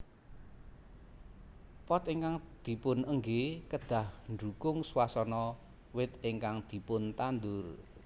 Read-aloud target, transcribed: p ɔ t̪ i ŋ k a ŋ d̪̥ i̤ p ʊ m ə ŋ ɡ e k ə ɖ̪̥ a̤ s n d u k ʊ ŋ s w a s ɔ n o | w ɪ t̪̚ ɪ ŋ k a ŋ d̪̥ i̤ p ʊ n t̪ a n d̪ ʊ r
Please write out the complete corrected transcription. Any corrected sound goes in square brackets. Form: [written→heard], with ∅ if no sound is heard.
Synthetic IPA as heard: p ɔ t̪ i ŋ k a ŋ d̪̥ i̤ p ʊ [m→n] ə ŋ ɡ e k ə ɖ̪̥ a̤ [s→h] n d u k ʊ ŋ s w a s ɔ n [o→ɔ] | w ɪ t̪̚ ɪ ŋ k a ŋ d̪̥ i̤ p ʊ n t̪ a n d̪ ʊ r